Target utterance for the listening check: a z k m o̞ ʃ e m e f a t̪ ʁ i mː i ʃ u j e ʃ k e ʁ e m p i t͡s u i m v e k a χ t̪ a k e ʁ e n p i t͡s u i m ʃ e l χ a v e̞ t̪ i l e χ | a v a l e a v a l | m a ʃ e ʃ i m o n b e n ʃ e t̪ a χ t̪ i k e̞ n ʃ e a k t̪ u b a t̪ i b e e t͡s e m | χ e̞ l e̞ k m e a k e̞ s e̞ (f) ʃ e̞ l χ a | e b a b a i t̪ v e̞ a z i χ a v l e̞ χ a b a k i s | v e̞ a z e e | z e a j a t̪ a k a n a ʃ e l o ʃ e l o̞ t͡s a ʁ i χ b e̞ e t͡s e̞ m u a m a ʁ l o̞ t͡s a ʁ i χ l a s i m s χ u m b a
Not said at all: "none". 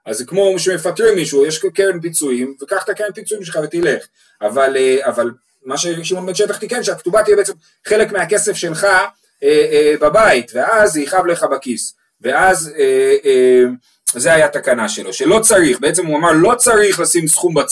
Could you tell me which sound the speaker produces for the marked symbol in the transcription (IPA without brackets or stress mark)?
f